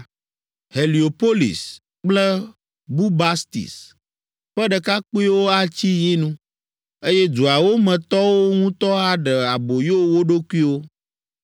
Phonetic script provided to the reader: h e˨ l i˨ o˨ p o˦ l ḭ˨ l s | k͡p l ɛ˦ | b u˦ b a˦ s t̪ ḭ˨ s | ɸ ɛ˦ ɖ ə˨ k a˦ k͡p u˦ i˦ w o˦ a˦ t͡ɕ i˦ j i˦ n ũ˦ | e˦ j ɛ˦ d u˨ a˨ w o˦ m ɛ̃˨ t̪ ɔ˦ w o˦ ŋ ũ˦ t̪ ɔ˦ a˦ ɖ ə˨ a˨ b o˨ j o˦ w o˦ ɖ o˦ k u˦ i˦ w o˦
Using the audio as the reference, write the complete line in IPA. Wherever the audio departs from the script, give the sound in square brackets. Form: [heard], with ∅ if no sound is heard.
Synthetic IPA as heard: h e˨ l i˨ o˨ p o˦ l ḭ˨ [∅] s | k͡p l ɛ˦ | b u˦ b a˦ s t̪ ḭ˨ s | ɸ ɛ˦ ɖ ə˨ k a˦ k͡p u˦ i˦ w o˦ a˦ t͡ɕ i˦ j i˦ n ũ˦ | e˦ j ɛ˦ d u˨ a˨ w o˦ m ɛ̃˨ t̪ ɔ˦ w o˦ ŋ ũ˦ t̪ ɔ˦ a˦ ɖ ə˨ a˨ b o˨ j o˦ w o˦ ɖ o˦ k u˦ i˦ w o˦